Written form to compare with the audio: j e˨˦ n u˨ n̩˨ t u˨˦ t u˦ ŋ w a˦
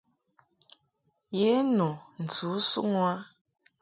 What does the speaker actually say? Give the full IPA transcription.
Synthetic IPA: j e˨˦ n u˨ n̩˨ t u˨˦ s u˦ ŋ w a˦